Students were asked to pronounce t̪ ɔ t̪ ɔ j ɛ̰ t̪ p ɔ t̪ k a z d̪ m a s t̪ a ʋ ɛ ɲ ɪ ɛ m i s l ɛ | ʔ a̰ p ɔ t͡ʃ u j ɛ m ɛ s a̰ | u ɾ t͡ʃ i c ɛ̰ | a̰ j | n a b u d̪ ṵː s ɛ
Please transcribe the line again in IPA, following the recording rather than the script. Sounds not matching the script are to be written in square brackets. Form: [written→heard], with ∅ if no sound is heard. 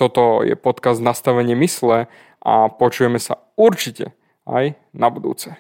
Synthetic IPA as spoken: t̪ ɔ t̪ ɔ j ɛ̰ [t̪→∅] p ɔ t̪ k a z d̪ [m→n] a s t̪ a ʋ ɛ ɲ ɪ ɛ m i s l ɛ | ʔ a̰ p ɔ t͡ʃ u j ɛ m ɛ s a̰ | u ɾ t͡ʃ i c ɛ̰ | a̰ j | n a b u d̪ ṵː [s→t͡s] ɛ